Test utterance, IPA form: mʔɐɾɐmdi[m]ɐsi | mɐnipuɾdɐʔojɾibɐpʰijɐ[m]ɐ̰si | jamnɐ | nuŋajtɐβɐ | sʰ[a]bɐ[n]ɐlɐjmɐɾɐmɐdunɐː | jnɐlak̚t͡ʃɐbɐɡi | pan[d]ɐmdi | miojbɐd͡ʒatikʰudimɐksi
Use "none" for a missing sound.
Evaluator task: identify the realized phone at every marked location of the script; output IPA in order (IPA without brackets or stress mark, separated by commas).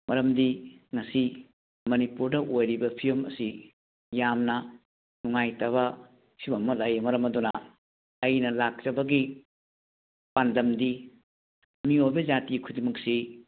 ŋ, m, i, m, d